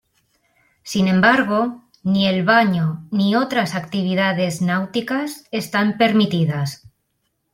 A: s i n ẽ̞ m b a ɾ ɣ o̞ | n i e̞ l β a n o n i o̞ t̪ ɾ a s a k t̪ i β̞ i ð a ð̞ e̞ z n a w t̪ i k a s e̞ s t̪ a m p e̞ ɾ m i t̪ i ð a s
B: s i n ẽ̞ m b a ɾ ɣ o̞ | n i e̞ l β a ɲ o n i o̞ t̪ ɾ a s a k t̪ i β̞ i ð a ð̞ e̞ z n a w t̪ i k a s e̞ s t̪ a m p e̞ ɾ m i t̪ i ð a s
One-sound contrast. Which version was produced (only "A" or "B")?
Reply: B